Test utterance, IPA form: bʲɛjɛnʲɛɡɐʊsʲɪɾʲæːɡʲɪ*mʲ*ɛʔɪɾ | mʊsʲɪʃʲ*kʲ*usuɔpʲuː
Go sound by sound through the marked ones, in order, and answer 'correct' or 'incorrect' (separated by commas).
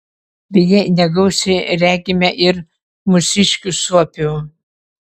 correct, correct